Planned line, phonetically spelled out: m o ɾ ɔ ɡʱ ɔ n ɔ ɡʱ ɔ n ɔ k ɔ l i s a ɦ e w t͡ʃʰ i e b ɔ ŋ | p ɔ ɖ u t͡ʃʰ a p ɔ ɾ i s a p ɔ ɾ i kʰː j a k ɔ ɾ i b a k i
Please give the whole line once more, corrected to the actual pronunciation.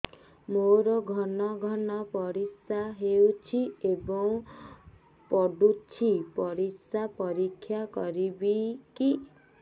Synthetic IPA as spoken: m o ɾ ɔ ɡʱ ɔ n ɔ ɡʱ ɔ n ɔ p ɔ ɾ i s a ɦ e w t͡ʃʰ i e b ɔ ŋ | p ɔ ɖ u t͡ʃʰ i p ɔ ɾ i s a p ɔ ɾ i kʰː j a k ɔ ɾ i b i k i